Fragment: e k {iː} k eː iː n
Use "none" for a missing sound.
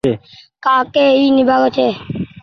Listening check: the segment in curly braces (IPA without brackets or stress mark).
aː